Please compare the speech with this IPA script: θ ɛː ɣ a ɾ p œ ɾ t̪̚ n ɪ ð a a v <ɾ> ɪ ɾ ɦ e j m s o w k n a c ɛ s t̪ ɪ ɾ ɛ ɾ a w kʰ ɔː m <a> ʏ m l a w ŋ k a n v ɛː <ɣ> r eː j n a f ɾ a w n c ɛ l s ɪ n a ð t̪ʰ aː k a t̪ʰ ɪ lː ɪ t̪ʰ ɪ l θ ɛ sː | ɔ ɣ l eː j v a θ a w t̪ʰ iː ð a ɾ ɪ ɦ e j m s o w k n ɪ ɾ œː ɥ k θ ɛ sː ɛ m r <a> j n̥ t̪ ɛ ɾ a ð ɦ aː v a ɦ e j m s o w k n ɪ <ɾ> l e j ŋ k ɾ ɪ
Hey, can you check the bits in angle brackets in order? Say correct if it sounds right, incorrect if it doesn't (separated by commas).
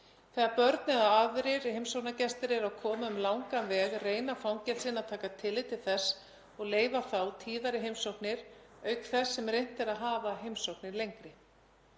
correct, correct, correct, incorrect, correct